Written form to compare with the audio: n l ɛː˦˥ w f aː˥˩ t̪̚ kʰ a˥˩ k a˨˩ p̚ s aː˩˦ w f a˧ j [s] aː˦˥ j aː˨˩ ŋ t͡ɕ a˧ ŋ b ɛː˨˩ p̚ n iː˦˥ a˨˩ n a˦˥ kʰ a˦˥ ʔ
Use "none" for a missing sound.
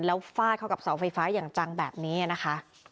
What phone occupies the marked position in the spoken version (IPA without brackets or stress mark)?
f